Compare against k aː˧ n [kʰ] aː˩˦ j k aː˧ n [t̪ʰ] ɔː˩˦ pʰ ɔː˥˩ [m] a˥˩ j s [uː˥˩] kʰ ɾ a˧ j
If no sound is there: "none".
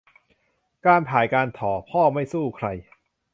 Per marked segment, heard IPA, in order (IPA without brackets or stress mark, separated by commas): pʰ, t̪ʰ, m, uː˥˩